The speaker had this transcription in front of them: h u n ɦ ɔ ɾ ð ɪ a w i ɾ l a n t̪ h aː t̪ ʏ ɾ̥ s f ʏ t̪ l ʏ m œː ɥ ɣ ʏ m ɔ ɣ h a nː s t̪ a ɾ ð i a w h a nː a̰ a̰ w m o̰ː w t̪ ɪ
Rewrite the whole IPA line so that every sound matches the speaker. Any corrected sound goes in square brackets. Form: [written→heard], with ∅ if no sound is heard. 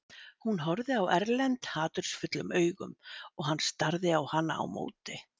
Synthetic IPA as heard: h u n ɦ ɔ ɾ ð ɪ a w [i→ɛ] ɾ l [a→ɛ] n t̪ h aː t̪ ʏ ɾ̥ s f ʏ t̪ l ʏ m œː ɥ ɣ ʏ m ɔ ɣ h a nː s t̪ a ɾ ð [i→ɪ] a w h a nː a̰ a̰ w m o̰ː w t̪ ɪ